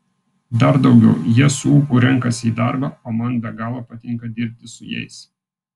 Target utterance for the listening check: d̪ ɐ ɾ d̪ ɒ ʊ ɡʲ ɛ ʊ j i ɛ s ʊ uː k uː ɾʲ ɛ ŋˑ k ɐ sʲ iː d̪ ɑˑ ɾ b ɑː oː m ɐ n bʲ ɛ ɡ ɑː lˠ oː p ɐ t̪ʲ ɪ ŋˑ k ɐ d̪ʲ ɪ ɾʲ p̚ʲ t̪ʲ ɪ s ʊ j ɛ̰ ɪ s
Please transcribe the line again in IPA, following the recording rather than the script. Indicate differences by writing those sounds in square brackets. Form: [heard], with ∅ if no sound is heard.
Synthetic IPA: d̪ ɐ ɾ d̪ ɒ ʊ ɡʲ ɛ ʊ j i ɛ s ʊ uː k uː ɾʲ ɛ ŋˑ k ɐ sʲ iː d̪ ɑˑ ɾ b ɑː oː m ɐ n bʲ ɛ ɡ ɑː lˠ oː p ɐ t̪ʲ ɪ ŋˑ k ɐ d̪ʲ ɪ ɾʲ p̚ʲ t̪ʲ ɪ s ʊ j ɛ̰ ɪ s